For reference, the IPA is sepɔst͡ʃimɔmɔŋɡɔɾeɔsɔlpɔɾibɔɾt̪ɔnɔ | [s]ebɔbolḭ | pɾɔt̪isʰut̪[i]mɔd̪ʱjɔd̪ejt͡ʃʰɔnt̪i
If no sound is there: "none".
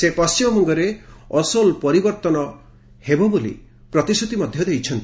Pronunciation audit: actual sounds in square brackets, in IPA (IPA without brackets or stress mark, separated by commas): h, i